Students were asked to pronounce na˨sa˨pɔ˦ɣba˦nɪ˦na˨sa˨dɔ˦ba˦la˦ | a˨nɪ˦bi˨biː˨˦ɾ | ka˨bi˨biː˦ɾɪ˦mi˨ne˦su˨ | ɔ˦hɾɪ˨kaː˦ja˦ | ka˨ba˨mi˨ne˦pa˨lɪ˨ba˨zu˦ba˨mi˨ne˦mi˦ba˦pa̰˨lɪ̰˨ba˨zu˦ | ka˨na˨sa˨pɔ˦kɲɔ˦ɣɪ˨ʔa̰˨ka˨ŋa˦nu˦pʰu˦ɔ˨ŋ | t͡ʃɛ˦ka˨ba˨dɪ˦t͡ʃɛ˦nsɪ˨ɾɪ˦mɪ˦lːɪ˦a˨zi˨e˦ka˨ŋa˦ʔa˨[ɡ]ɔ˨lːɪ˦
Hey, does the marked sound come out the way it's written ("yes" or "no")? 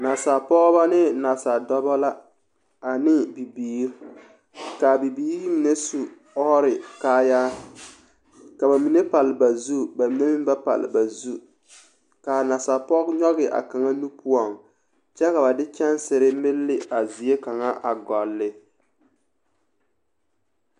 yes